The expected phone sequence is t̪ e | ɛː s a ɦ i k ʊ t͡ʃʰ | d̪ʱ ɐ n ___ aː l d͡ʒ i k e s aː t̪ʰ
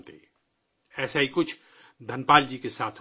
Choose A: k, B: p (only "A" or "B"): B